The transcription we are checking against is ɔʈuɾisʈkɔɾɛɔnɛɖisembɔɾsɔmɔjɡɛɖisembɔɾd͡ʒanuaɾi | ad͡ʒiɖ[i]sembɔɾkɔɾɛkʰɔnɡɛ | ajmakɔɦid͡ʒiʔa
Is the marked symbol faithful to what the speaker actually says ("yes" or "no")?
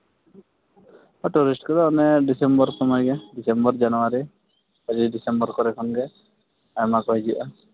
yes